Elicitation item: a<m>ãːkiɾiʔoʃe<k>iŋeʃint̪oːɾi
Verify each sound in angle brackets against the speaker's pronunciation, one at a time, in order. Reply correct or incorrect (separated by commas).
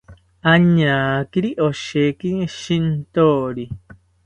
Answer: incorrect, correct